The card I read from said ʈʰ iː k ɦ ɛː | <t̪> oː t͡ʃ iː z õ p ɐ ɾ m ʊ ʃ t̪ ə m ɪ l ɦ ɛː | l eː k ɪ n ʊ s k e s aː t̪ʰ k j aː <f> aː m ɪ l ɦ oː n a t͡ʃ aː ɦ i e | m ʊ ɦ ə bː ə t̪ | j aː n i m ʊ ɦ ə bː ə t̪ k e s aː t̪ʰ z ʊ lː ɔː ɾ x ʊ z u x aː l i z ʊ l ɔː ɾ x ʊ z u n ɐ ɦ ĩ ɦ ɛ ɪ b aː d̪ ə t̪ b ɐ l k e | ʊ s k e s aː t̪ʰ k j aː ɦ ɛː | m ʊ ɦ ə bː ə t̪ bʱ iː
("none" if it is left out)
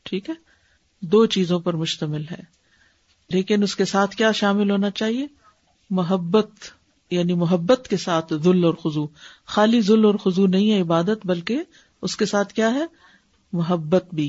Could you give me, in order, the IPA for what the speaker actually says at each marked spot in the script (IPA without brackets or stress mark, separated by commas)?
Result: d̪, ʃ